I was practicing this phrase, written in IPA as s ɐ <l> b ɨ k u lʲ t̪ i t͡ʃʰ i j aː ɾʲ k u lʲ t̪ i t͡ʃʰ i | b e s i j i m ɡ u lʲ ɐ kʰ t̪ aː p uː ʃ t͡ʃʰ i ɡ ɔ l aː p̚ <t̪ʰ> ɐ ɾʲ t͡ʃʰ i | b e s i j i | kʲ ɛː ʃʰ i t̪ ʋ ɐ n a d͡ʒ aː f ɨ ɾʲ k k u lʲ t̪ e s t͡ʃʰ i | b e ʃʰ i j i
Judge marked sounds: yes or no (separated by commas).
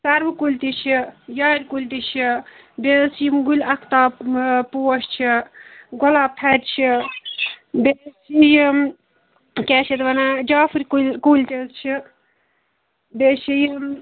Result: no, yes